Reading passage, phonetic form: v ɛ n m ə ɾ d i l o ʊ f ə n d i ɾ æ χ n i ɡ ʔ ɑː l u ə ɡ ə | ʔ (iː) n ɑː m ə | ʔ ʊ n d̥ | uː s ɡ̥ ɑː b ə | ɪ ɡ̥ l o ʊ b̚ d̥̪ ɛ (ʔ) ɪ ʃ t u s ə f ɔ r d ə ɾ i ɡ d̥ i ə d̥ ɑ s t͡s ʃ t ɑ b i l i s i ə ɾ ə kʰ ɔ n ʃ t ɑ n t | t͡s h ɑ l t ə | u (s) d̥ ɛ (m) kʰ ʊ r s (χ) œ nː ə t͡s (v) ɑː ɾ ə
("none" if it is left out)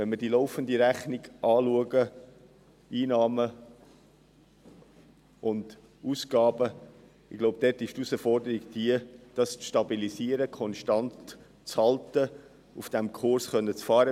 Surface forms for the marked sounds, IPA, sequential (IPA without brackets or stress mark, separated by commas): iː, t, f, m, χ, f